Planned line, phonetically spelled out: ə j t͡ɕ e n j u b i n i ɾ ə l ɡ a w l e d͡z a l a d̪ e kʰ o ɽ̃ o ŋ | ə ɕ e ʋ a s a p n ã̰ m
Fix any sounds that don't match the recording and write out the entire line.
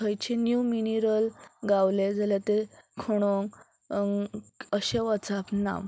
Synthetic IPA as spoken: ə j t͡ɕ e n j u m i n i ɾ ə l ɡ a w l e d͡z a l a t̪ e kʰ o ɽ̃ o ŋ | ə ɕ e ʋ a t͡s a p n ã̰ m